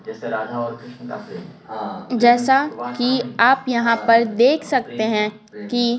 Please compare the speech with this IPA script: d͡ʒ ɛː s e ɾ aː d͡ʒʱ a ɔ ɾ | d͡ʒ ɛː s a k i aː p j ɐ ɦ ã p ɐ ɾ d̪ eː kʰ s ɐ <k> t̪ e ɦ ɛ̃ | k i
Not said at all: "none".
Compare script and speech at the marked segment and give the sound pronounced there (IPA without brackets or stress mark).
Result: k